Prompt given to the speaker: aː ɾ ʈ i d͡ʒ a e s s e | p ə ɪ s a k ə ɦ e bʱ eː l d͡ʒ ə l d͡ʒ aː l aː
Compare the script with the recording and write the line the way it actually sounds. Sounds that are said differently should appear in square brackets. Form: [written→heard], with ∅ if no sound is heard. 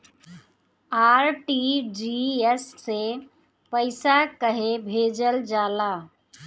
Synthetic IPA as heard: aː ɾ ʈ i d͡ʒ [a→i] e s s e | p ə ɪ s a k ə ɦ e bʱ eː [l→∅] d͡ʒ ə l d͡ʒ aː l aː